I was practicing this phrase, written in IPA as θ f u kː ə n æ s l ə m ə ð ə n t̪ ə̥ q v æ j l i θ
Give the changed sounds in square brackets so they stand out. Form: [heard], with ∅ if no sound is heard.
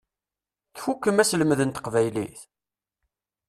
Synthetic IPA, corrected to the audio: θ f u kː ə [m] æ s l ə m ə ð ə n t̪ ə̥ q v æ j l i θ